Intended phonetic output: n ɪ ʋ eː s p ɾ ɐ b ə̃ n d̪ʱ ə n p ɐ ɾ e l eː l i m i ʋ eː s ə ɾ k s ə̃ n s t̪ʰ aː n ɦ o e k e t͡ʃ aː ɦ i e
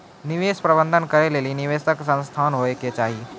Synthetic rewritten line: n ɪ ʋ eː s p ɾ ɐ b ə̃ n d̪ʱ ə n k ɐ ɾ e l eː l i n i ʋ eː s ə k s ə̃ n s t̪ʰ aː n ɦ o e k e t͡ʃ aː ɦ i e

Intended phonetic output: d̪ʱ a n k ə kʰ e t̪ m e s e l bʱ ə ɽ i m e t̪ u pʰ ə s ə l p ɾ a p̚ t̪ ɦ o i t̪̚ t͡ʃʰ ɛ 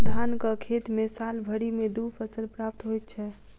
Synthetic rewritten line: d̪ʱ a n k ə kʰ e t̪ m e s a l bʱ ə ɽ i m e d̪ u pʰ ə s ə l p ɾ a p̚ t̪ ɦ o j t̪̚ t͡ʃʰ ɛ

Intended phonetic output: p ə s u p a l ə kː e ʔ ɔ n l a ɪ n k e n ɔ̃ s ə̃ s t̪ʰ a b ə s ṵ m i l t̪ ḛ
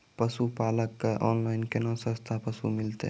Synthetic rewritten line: p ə s u p a l ə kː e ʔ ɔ n l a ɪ n k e n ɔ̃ s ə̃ s t̪ʰ a p ə s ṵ m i l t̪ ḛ

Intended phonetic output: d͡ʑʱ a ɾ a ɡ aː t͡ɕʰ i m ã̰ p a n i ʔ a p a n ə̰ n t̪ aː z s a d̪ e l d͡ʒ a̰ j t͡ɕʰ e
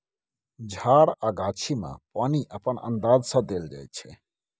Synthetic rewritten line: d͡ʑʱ a ɾ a ɡ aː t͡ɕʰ i m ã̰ p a n i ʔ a p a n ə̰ n d̪ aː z s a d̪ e l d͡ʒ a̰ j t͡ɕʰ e

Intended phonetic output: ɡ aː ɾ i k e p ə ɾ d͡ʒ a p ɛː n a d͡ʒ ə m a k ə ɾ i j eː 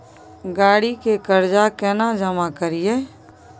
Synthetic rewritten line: ɡ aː ɽ i k e k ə ɾ d͡ʒ a k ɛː n a d͡ʒ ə m a k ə ɾ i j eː

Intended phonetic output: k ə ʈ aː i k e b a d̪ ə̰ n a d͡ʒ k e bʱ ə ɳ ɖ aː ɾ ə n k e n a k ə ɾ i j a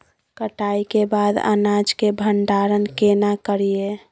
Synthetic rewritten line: k ə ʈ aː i k e b a d̪ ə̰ n a d͡ʒ k e bʱ ə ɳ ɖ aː ɾ ə n k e n a k ə ɾ i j e

